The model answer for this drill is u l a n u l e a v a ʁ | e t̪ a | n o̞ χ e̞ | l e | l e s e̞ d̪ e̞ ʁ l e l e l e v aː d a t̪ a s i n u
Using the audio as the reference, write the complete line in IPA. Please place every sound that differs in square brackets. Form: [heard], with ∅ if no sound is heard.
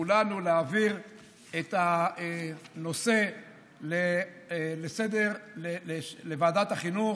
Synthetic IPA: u l a n u l e a v [i] ʁ | e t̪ a | n o̞ [s] e̞ | l e | l e s e̞ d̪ e̞ ʁ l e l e l e v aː d a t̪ a [χ] i n u